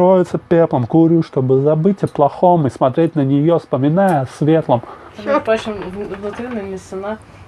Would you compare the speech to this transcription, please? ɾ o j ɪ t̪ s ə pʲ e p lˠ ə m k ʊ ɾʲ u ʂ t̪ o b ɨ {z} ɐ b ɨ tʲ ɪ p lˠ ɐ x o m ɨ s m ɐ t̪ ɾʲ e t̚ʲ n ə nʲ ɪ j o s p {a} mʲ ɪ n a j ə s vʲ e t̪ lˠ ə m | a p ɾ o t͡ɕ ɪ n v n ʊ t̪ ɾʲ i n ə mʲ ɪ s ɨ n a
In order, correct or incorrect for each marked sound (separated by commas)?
correct, incorrect